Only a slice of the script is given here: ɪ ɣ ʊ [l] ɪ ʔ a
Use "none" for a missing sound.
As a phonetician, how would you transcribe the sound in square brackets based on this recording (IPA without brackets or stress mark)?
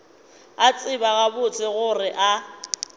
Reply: r